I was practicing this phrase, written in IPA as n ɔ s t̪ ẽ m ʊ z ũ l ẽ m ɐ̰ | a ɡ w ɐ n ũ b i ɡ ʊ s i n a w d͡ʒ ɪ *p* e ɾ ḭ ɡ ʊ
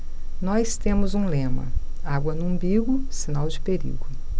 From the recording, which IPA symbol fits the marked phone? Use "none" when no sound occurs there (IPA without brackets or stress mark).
p